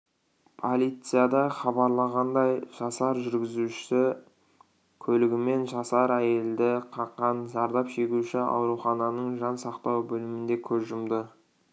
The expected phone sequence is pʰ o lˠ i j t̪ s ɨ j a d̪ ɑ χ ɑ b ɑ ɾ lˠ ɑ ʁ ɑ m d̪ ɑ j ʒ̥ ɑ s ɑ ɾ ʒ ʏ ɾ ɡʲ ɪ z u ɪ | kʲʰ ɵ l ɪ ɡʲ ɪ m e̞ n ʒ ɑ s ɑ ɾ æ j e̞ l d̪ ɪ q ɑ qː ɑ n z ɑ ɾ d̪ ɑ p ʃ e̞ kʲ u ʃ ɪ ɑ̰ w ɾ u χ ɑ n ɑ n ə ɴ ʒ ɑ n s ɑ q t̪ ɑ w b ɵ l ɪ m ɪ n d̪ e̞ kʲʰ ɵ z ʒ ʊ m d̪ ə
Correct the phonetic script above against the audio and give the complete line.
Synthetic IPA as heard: pʰ o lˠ i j t̪ s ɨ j a d̪ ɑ χ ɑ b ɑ ɾ lˠ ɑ ʁ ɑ n d̪ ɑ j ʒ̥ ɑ s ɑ ɾ ʒ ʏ ɾ ɡʲ ɪ z u ɪ | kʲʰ ɵ l ɪ ɡʲ ɪ m e̞ n ʒ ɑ s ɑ ɾ æ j e̞ l d̪ ɪ qʰ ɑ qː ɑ n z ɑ ɾ d̪ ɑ p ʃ e̞ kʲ u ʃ ɪ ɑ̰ w ɾ u χ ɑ n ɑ n ə ɴ ʒ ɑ n s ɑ q t̪ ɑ w b ɵ l ɪ m ɪ n d̪ e̞ kʲʰ ɵ z ʒ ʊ m d̪ ə